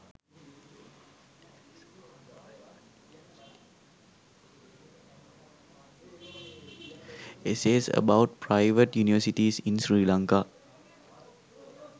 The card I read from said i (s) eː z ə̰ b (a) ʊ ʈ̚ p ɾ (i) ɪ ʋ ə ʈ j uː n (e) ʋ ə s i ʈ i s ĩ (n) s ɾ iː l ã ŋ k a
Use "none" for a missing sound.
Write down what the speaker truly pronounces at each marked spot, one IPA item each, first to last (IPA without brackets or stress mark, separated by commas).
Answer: s, a, a, i, n